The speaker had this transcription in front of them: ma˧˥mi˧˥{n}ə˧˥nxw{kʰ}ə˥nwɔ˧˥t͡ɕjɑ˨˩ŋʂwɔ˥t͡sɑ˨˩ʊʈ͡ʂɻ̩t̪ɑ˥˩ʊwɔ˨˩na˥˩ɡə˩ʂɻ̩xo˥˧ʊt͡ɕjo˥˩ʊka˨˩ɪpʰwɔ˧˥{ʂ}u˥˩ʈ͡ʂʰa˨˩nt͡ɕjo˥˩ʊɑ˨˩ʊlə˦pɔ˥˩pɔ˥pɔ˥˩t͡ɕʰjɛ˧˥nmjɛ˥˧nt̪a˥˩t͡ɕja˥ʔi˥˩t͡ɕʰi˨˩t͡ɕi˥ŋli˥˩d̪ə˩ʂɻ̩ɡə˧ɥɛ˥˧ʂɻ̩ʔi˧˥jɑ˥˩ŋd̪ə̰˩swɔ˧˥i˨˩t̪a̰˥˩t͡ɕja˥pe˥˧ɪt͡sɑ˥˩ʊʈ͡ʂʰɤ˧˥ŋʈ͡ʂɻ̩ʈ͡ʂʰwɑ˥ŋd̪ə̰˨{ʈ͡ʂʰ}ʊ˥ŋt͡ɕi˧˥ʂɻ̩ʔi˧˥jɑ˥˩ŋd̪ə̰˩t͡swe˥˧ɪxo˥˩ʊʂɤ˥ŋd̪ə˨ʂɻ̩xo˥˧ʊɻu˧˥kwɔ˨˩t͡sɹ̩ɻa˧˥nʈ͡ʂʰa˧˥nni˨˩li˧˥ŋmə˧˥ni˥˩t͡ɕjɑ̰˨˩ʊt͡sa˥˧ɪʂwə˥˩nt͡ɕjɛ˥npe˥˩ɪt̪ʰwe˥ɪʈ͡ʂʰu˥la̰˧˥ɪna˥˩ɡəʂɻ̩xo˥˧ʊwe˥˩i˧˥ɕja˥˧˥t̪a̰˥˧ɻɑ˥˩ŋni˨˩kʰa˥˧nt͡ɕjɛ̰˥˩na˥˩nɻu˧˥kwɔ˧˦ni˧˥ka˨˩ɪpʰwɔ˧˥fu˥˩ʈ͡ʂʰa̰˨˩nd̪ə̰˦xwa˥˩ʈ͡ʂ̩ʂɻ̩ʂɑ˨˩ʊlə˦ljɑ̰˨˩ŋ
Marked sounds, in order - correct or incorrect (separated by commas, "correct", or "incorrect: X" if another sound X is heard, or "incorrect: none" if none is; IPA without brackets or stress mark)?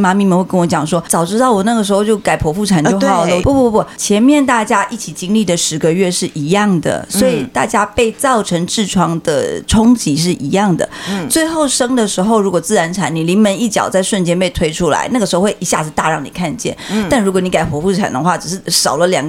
incorrect: m, incorrect: k, incorrect: f, correct